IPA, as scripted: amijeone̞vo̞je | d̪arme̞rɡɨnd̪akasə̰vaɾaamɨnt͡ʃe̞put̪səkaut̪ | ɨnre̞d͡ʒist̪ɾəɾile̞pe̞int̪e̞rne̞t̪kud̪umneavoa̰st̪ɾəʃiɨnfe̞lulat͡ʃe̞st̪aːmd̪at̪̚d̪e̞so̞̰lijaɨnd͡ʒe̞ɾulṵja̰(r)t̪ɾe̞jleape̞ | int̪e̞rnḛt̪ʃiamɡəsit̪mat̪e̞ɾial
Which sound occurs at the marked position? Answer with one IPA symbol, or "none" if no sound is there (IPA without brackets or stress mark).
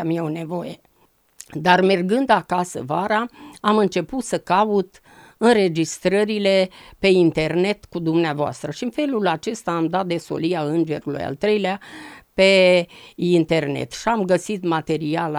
l